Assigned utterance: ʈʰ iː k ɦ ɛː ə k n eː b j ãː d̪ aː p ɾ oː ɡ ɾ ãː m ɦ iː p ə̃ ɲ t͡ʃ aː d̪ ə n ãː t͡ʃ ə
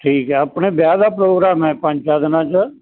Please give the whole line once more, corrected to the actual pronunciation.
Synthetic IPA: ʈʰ iː k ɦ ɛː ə p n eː b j aː d̪ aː p ɾ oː ɡ ɾ aː m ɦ ɛː p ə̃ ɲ t͡ʃ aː d̪ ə n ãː t͡ʃ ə